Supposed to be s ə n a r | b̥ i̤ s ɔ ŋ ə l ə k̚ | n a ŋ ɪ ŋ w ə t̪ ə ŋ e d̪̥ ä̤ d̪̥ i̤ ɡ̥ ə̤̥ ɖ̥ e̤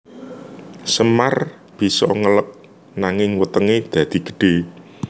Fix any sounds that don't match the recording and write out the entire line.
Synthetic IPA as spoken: s ə m a r | b̥ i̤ s ɔ ŋ ə l ə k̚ | n a ŋ ɪ ŋ w ə t̪ ə ŋ e d̪̥ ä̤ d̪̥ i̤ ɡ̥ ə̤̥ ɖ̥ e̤